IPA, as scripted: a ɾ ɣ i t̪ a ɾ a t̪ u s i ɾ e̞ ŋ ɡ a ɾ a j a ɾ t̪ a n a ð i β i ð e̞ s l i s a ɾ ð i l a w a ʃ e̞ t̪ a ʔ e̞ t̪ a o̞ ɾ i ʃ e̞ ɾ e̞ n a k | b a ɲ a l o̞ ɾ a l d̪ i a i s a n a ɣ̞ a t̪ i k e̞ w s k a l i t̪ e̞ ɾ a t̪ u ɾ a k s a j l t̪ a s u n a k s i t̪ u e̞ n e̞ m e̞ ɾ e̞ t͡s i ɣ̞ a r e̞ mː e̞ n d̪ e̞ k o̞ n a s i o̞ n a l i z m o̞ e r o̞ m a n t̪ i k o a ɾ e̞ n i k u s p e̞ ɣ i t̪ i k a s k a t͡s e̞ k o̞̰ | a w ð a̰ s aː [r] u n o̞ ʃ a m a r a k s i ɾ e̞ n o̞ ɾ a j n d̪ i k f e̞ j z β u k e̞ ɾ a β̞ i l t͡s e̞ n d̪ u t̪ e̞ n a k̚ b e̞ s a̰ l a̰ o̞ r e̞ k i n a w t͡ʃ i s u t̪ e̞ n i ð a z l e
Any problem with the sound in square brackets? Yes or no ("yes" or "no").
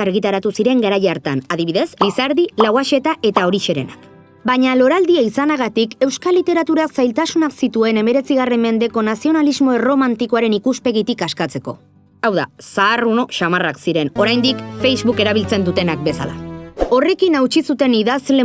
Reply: no